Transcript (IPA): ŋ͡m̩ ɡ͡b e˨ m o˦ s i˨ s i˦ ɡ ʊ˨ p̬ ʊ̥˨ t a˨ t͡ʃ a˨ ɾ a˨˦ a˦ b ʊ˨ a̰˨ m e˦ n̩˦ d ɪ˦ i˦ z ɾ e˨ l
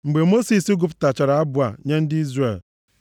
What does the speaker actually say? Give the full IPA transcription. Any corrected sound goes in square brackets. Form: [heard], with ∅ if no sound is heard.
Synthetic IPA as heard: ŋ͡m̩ ɡ͡b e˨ m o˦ s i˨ s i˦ ɡ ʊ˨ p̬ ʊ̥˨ t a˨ t͡ʃ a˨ ɾ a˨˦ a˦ b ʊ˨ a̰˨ [ɲ] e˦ n̩˦ d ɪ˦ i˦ z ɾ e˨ l